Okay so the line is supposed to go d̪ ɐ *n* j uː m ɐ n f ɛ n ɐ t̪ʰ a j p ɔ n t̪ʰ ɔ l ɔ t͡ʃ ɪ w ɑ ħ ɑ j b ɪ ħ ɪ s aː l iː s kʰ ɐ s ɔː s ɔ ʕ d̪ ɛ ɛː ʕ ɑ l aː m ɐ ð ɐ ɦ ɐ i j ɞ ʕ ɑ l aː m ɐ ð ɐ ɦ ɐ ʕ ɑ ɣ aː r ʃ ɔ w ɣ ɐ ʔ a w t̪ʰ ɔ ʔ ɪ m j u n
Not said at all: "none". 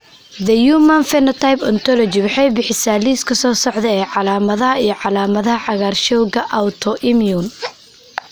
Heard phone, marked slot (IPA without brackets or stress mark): none